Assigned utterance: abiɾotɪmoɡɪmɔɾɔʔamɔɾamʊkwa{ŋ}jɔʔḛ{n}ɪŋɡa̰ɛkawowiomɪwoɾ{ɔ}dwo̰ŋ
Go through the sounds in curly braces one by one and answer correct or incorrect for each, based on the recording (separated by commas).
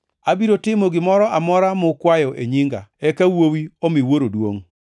incorrect, incorrect, incorrect